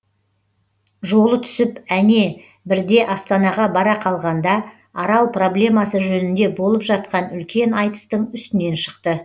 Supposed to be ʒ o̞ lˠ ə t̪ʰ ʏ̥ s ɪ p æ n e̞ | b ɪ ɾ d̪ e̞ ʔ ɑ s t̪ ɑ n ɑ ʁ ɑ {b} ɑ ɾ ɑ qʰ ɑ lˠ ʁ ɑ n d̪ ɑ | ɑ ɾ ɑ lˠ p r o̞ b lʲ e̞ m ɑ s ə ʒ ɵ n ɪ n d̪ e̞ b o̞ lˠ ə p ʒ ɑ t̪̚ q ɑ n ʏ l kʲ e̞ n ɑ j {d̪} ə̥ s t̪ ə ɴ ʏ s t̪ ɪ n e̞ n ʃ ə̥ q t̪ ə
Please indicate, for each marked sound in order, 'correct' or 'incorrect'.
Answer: correct, incorrect

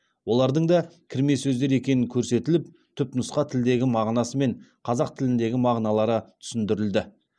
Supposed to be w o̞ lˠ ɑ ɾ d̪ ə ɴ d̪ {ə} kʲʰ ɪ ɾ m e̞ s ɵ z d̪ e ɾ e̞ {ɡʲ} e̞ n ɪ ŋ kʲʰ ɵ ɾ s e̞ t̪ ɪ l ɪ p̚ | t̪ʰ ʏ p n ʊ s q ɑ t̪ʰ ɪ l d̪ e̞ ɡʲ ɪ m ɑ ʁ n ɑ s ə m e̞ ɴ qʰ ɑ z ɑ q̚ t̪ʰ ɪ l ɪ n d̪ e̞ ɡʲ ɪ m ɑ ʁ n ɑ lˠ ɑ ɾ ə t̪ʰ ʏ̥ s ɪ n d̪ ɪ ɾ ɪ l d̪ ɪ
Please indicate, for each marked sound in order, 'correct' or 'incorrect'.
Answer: incorrect, incorrect

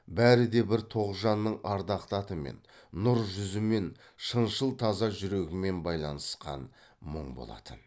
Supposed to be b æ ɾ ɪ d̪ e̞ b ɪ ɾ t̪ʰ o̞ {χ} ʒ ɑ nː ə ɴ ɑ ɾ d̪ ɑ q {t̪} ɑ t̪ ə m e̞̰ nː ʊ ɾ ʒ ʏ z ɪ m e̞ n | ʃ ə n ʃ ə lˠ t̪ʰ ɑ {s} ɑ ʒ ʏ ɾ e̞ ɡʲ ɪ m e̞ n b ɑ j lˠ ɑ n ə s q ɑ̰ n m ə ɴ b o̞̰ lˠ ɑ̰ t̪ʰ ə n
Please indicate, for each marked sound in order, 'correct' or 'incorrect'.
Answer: incorrect, correct, incorrect

